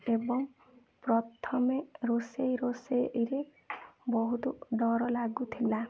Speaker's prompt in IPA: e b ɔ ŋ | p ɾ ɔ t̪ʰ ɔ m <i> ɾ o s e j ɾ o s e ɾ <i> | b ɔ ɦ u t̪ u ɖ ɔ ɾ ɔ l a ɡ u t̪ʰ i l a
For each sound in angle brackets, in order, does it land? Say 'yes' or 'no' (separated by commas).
no, no